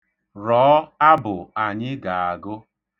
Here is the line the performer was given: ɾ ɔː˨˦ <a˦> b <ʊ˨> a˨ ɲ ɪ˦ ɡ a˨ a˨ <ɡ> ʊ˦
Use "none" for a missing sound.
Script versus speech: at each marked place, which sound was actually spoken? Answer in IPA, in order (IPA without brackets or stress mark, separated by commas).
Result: a˦, ʊ˨, ɡ